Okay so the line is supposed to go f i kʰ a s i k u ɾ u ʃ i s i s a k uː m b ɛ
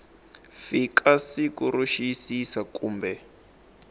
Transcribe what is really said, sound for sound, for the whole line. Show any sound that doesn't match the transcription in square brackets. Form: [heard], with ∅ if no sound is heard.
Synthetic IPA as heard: f i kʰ a s i k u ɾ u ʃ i s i s a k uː m b ɛ